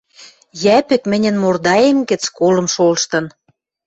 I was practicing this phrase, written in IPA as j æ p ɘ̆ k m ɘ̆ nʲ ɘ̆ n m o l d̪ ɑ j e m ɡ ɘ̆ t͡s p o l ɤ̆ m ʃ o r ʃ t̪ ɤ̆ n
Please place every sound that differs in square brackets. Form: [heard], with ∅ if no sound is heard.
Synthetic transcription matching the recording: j æ p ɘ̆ k m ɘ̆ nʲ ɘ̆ n m o [r] d̪ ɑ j e m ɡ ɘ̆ t͡s [k] o l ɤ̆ m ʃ o [l] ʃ t̪ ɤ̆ n